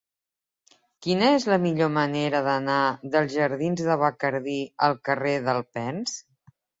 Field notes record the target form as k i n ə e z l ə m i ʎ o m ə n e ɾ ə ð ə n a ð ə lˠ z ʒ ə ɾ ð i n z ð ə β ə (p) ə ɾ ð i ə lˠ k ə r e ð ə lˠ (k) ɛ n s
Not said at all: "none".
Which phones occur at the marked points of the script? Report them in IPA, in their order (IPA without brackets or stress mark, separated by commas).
k, p